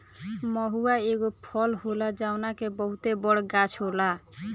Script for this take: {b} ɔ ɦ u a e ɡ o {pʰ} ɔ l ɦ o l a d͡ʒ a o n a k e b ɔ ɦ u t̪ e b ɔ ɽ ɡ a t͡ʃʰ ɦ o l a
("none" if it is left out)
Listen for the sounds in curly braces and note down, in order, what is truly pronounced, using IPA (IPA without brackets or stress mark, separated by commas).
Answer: m, pʰ